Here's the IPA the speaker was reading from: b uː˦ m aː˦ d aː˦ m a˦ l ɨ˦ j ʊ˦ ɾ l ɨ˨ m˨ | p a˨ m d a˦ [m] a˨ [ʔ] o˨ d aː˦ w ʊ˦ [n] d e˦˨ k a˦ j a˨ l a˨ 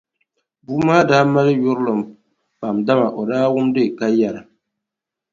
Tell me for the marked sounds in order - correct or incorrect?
correct, correct, incorrect

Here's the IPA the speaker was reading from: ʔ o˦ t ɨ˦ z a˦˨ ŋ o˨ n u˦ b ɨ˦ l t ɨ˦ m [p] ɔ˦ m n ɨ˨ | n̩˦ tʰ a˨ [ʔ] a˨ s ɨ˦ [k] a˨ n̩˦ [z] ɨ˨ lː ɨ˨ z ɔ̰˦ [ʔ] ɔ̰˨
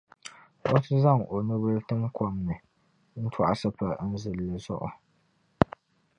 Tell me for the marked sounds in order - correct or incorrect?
incorrect, correct, incorrect, correct, correct

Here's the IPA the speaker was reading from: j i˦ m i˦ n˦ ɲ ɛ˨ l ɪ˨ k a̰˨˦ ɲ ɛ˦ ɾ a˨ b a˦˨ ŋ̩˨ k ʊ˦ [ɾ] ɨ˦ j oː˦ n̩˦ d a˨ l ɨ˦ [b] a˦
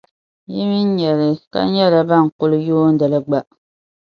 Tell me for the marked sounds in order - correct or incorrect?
incorrect, incorrect

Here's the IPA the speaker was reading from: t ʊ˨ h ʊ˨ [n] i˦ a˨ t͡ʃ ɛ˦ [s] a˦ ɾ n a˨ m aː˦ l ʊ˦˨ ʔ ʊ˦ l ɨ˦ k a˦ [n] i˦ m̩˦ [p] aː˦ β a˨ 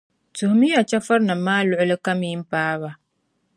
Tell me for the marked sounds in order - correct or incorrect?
incorrect, incorrect, incorrect, correct

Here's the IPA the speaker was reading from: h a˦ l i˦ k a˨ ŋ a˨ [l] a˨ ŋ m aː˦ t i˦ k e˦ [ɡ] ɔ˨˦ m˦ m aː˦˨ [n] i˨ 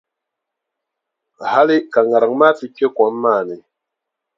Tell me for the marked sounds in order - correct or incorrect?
incorrect, incorrect, correct

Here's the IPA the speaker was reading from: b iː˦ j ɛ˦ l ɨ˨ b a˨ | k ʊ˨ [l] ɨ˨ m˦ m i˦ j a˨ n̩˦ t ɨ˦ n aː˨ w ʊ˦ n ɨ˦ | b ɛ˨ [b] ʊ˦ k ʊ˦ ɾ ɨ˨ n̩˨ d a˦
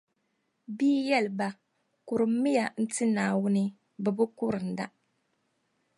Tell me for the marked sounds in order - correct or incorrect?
incorrect, correct

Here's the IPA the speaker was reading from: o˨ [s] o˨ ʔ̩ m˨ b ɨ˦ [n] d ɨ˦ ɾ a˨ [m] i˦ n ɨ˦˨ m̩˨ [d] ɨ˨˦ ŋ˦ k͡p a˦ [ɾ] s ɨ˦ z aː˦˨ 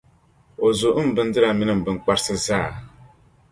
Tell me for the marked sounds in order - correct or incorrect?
incorrect, correct, correct, incorrect, correct

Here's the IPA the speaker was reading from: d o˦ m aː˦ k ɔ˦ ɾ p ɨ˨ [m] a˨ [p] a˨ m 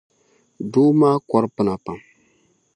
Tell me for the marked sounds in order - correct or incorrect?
incorrect, correct

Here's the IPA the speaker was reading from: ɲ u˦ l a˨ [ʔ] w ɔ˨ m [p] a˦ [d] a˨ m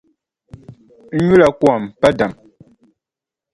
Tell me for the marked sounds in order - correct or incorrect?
incorrect, correct, correct

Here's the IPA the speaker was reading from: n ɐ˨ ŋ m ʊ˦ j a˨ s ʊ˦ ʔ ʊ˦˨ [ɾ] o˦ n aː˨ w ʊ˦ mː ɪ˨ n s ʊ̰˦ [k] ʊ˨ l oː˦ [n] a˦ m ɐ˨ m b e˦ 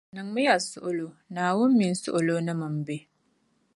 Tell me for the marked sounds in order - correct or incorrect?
incorrect, incorrect, correct

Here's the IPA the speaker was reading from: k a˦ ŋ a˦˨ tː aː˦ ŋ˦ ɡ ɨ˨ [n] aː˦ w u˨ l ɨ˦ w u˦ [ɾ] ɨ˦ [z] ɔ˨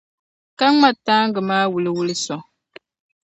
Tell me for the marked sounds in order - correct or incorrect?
incorrect, incorrect, incorrect

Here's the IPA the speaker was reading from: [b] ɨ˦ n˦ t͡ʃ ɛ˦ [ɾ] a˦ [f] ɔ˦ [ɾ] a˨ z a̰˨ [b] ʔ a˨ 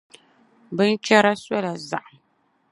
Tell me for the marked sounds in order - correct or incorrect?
correct, correct, incorrect, incorrect, incorrect

